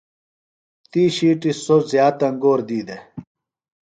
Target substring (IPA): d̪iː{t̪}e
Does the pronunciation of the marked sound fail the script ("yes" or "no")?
yes